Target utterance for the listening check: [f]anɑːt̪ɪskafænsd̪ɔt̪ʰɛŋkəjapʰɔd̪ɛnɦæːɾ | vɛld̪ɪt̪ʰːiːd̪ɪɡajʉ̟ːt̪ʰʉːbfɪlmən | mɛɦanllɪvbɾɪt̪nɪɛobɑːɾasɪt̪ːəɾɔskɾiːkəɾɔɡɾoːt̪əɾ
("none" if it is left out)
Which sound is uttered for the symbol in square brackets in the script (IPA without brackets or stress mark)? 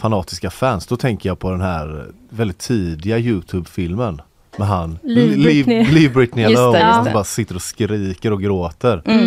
f